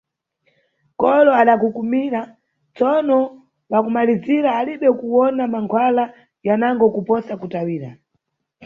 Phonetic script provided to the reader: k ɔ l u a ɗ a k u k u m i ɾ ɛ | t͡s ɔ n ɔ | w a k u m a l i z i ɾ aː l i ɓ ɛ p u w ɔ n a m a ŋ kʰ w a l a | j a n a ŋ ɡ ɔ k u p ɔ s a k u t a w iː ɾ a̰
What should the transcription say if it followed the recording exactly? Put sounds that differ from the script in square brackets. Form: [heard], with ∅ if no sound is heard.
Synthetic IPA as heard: k ɔ l [ɔ] a ɗ a k u k u m i ɾ [a] | t͡s ɔ n ɔ | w a k u m a l i z i ɾ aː l i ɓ ɛ [k] u w ɔ n a m a ŋ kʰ w a l a | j a n a ŋ ɡ ɔ k u p ɔ s a k u t a w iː ɾ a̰